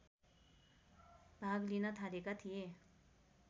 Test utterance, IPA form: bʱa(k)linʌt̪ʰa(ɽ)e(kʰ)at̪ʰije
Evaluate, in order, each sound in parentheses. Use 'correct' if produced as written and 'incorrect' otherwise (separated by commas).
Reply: incorrect, incorrect, incorrect